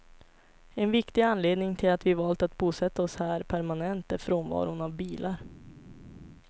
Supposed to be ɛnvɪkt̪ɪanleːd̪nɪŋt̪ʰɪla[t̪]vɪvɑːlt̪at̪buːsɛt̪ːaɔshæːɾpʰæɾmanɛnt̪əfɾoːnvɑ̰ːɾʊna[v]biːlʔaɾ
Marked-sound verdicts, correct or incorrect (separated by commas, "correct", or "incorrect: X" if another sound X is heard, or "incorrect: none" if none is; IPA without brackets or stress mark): correct, correct